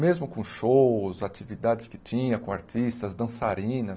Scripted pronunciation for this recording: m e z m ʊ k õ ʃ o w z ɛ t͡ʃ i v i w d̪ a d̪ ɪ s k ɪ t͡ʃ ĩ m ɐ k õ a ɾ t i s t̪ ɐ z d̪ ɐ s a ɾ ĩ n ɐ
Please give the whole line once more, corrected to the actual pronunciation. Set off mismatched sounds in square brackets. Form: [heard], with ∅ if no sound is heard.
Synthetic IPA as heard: m e z m ʊ k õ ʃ o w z [a] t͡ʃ i v i [∅] d̪ a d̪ ɪ s k ɪ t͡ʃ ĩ [ɲ] ɐ k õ a ɾ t i s t̪ ɐ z d̪ [ɐ̃] s a ɾ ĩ n ɐ